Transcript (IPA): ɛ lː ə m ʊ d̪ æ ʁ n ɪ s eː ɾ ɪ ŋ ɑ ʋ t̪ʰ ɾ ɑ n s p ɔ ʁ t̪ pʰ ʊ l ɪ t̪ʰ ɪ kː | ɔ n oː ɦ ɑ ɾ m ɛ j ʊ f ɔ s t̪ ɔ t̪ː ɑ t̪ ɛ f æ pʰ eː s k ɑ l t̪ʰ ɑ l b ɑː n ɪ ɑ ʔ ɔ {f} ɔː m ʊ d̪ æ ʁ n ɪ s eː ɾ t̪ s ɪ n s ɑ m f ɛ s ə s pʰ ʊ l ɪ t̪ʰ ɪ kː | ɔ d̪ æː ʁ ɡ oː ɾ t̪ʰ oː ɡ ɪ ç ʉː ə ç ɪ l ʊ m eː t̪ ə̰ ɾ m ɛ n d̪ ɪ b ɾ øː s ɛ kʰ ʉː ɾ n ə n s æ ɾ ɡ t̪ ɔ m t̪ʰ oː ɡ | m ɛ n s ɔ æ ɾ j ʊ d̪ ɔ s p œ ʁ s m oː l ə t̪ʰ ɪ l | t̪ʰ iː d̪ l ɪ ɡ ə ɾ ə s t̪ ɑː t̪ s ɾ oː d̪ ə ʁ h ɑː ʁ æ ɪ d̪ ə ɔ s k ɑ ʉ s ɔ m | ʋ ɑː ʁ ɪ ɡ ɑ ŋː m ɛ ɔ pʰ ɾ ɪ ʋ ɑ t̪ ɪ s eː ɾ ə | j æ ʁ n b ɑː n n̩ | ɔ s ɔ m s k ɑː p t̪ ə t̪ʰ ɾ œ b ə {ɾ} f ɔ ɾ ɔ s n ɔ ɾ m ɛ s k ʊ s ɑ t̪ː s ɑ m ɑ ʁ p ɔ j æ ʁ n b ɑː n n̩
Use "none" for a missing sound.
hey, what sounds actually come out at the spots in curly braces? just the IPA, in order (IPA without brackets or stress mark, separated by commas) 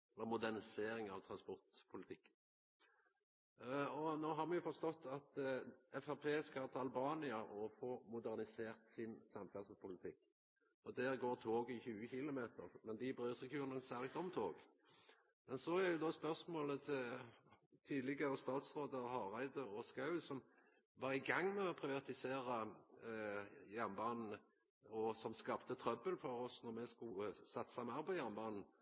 f, l